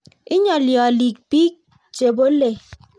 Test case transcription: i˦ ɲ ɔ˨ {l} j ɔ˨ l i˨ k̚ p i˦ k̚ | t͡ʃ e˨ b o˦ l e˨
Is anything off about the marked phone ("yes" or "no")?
no